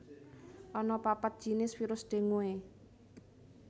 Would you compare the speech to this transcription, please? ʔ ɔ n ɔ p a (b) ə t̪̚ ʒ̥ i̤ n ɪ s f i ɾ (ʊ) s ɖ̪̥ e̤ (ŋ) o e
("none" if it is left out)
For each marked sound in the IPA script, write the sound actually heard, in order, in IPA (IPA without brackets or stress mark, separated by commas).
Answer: p, ʊ, ŋ